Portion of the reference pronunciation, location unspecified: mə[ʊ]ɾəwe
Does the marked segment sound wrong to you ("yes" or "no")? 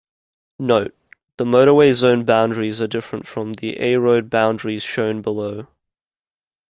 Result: no